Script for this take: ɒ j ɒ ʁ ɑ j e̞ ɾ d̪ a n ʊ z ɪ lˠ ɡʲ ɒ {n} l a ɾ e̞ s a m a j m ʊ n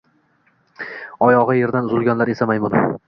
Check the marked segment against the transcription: correct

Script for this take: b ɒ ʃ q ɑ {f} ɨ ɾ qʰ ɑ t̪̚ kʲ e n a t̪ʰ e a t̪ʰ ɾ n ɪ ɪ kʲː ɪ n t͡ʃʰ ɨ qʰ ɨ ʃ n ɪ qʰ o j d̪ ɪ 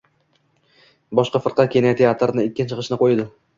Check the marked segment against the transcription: correct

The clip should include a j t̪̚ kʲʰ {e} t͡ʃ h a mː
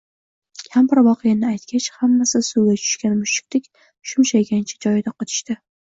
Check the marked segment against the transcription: incorrect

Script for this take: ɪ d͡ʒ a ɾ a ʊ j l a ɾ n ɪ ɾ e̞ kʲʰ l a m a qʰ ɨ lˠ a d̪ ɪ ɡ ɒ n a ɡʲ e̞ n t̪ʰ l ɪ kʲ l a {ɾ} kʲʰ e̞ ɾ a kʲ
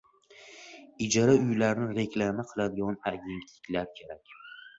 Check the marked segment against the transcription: correct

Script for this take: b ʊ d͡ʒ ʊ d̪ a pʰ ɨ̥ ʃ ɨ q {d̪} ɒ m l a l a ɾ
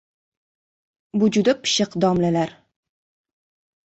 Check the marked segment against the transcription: correct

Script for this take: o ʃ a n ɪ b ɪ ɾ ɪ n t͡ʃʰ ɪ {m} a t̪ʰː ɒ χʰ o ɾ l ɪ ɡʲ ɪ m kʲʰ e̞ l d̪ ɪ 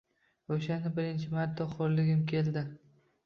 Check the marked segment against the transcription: correct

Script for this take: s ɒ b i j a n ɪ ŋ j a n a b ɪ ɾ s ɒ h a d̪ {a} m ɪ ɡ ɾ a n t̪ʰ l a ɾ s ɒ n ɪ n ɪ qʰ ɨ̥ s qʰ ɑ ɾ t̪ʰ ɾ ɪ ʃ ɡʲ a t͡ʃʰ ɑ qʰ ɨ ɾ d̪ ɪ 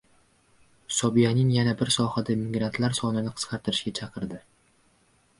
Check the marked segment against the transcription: correct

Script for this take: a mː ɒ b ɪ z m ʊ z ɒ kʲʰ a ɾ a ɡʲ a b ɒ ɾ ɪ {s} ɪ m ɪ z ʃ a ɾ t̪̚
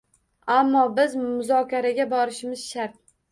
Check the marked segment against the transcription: incorrect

